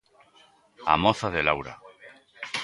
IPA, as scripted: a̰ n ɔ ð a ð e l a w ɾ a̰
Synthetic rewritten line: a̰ m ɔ θ a ð e l a w ɾ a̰

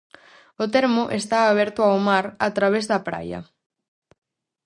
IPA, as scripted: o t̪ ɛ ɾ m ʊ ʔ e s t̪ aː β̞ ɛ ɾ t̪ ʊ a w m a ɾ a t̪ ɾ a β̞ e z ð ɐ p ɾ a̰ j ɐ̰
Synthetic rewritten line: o t̪ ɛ ɾ m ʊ ʔ e s t̪ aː β̞ ɛ ɾ t̪ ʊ a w m a ɾ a t̪ ɾ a β̞ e z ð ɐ p ɾ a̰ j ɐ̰

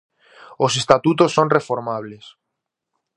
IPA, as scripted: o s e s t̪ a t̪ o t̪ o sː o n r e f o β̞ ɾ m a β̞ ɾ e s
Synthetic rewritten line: o s e s t̪ a t̪ u t̪ o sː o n r e f o ɾ m a β̞ l e s

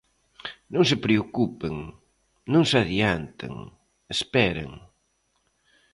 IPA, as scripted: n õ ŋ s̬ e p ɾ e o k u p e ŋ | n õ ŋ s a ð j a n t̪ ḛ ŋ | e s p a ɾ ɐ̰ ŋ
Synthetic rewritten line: n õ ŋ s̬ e p ɾ e o k u p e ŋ | n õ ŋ s a ð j a n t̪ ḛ ŋ | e s p ɛ ɾ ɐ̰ ŋ

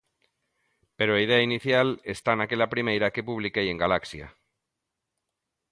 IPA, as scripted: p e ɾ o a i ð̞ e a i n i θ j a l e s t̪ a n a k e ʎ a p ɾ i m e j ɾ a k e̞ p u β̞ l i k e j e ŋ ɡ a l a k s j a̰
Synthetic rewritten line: p e ɾ o a i ð̞ e a i n i θ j a l e s t̪ a n a k e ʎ a p ɾ i m e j ɾ a k e̞ p u β̞ l i k e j e ŋ ɡ a l a k s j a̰

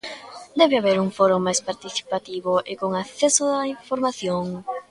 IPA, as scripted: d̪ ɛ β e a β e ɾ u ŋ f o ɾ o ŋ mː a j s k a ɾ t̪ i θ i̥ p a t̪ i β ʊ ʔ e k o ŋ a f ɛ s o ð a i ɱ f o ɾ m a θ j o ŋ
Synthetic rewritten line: d̪ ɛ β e a β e ɾ u ŋ f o ɾ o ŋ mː a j s p a ɾ t̪ i θ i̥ p a t̪ i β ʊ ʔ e k o ŋ a θ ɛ s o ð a i ɱ f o ɾ m a θ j o ŋ

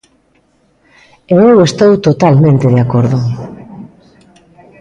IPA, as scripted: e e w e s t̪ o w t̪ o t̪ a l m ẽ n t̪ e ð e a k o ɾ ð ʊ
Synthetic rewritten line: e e w e s t̪ o w t̪ o t̪ a l m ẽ n t̪ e ð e a k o ɾ ð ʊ

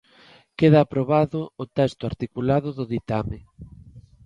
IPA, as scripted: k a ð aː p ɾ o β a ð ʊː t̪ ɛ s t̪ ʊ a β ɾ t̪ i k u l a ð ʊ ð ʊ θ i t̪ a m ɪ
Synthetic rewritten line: k e ð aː p ɾ o β a ð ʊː t̪ ɛ s t̪ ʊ a ɾ t̪ i k u l a ð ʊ ð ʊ ð i t̪ a m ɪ

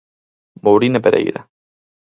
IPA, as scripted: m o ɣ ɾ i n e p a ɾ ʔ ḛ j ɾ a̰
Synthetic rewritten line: m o w ɾ i n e p e ɾ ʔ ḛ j ɾ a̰

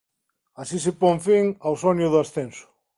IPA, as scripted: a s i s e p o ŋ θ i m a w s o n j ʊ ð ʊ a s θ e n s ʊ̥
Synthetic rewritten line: a s i s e p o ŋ f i ŋ a w s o n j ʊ ð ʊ a s θ e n s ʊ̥

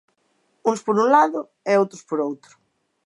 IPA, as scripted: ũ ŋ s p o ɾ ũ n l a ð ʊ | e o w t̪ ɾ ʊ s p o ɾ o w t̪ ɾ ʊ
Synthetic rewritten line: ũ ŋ s p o ɾ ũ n l a ð ʊ | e o w t̪ ɾ ʊ s p o ɾ o w t̪ ɾ ʊ

